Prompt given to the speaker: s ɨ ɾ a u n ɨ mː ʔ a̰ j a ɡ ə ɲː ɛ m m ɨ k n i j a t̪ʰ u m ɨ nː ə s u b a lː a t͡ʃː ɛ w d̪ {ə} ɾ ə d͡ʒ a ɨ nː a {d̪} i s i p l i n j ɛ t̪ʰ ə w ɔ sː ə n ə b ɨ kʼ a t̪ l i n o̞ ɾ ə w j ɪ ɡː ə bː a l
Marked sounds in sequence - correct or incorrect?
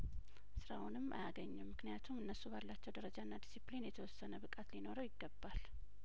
correct, correct

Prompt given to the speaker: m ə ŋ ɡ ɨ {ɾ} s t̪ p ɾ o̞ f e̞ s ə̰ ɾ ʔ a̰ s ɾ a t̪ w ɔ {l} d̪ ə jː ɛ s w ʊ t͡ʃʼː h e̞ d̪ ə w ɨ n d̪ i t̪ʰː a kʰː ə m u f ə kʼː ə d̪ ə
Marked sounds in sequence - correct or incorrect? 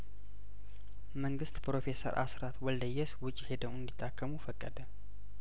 incorrect, correct

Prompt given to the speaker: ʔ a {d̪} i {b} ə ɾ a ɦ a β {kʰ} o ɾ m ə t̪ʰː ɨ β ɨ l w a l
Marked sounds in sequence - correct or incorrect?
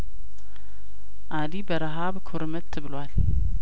correct, correct, correct

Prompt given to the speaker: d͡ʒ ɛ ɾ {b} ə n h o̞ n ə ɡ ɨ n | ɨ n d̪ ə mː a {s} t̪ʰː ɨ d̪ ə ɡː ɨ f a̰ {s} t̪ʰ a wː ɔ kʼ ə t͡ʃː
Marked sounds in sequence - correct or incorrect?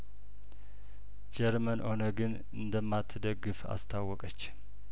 incorrect, incorrect, correct

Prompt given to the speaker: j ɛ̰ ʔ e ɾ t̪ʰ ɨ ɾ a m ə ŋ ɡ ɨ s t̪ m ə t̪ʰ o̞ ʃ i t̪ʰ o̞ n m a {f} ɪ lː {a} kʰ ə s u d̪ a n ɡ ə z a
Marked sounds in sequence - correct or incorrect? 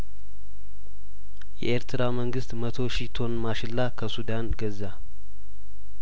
incorrect, correct

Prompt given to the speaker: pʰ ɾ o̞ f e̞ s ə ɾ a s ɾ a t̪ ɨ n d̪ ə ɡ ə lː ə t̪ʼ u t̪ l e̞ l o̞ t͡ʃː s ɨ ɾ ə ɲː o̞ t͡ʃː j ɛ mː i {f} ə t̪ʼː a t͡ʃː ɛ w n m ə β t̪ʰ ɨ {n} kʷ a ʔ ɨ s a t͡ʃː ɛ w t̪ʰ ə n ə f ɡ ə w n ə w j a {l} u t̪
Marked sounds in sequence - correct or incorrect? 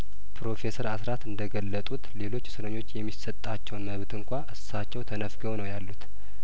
incorrect, incorrect, incorrect

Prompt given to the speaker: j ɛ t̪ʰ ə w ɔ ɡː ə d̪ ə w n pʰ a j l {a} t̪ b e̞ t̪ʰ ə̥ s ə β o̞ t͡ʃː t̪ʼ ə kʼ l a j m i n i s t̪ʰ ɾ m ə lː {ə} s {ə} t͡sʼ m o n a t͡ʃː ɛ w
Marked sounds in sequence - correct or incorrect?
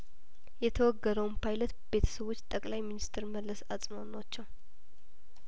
incorrect, correct, incorrect

